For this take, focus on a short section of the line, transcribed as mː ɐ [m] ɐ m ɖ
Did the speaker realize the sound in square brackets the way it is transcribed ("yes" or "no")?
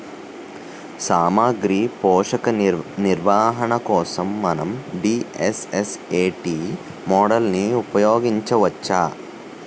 no